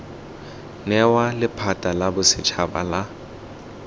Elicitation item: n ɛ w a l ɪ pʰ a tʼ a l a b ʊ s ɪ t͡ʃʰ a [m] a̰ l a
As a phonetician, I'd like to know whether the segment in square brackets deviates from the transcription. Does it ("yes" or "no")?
yes